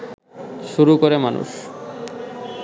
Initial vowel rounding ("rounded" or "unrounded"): rounded